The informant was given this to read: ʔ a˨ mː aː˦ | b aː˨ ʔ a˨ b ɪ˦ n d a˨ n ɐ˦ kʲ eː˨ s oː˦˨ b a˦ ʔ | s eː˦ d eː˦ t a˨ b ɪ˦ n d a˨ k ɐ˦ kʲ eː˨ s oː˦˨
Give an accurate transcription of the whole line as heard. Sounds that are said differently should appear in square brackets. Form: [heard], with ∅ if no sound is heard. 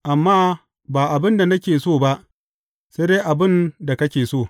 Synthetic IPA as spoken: ʔ a˨ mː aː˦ | b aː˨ ʔ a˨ b ɪ˦ n d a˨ n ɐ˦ kʲ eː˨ s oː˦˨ b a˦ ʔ | s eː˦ d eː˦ [ʔ] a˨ b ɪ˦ n d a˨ k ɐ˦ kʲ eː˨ s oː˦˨